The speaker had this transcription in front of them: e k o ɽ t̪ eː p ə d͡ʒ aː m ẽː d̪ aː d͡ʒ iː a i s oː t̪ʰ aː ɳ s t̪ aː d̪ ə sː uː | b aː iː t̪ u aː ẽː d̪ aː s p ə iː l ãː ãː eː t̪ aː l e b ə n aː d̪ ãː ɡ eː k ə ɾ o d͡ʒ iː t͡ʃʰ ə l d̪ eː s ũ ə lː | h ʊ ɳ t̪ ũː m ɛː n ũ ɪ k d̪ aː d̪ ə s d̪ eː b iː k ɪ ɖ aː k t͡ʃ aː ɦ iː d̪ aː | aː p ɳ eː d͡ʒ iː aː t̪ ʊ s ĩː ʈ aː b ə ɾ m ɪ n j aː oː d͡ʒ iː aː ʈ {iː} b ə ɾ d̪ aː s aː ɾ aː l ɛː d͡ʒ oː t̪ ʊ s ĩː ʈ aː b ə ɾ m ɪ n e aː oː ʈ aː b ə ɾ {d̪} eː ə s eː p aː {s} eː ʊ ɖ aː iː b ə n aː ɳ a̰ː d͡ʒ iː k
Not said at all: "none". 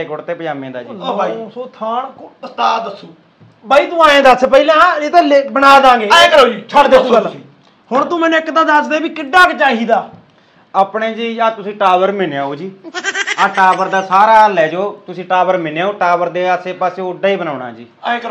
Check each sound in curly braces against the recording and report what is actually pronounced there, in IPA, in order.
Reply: aː, d̪, s

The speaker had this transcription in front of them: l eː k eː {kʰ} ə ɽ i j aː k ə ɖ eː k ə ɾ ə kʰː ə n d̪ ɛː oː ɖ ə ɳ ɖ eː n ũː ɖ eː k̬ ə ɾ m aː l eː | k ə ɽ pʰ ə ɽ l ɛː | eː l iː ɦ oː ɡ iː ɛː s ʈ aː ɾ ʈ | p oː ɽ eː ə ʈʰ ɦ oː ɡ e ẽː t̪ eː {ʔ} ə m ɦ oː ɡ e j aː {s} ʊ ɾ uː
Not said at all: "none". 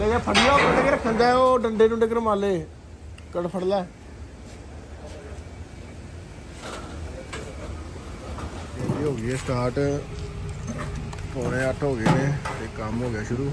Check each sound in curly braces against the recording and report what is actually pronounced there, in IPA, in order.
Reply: pʰ, k, ʃ

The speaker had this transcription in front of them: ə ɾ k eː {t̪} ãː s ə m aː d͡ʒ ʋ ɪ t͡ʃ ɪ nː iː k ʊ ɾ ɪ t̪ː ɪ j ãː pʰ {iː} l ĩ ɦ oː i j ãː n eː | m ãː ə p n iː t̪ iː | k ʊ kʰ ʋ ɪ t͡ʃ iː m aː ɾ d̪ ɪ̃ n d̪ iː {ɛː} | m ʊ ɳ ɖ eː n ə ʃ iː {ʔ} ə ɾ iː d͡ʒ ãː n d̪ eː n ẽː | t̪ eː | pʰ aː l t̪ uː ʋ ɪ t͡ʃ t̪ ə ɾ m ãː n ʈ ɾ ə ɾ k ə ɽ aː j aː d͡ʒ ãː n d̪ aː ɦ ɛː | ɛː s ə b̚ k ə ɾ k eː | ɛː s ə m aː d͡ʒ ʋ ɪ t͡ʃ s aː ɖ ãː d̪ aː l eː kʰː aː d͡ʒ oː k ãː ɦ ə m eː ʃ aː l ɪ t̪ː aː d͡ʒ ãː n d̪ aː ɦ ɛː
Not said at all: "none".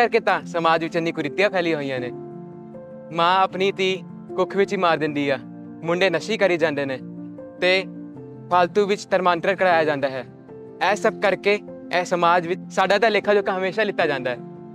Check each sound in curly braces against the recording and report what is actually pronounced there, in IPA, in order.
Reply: t̪, ɛː, aː, k

